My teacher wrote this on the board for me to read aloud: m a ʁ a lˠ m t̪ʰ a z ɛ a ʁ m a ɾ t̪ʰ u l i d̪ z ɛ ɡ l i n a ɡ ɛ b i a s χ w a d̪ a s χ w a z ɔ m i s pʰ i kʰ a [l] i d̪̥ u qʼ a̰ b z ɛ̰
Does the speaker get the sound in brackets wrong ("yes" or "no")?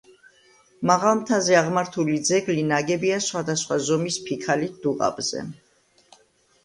no